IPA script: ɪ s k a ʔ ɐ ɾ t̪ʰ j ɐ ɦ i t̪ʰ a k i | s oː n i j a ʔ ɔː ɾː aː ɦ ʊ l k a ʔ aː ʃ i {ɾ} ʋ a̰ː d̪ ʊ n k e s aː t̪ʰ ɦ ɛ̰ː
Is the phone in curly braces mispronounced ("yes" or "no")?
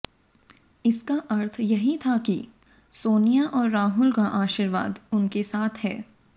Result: no